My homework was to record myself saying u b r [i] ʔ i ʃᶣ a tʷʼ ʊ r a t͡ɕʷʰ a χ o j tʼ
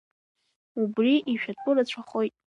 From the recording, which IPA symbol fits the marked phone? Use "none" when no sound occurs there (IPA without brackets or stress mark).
i